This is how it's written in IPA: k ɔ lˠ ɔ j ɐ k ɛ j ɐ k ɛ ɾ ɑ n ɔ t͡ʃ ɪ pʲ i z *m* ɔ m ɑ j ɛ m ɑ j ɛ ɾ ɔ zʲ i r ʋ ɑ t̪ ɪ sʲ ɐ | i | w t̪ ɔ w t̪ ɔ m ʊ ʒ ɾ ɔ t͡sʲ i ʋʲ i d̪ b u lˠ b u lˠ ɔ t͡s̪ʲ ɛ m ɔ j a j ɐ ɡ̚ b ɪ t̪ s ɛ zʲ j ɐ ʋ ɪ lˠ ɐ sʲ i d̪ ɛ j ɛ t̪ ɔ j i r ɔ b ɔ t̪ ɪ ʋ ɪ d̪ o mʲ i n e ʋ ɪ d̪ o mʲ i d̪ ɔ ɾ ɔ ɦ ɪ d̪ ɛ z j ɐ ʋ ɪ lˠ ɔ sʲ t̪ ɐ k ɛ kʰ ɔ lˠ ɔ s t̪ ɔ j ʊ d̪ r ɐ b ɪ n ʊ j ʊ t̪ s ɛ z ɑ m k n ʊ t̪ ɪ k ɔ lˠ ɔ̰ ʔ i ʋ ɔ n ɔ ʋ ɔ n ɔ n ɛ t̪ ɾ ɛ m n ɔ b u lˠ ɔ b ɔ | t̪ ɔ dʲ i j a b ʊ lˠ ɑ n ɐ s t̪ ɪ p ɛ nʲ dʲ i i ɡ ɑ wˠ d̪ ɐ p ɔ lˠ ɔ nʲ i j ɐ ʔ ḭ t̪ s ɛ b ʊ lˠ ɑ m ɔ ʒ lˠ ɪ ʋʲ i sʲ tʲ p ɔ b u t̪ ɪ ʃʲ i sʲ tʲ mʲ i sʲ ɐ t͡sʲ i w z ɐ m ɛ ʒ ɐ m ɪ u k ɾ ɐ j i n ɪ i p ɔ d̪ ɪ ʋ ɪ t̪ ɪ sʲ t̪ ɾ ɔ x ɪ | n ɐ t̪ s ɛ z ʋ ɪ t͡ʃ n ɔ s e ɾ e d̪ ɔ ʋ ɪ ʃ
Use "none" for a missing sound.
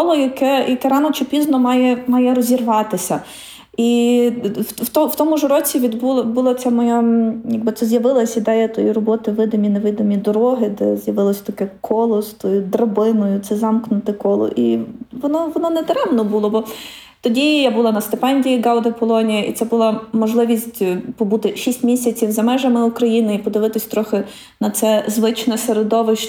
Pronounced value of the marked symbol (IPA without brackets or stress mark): n